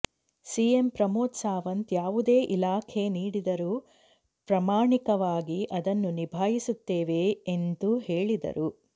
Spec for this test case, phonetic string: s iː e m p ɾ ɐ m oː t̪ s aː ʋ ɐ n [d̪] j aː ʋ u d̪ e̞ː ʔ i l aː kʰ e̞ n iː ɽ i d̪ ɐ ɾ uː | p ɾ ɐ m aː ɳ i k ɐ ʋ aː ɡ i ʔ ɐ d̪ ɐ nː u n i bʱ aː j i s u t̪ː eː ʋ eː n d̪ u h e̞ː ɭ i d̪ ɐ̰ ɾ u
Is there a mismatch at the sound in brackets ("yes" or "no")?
yes